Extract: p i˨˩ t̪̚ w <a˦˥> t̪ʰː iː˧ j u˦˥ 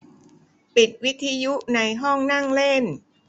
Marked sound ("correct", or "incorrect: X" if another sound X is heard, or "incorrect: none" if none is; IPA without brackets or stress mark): incorrect: i˦˥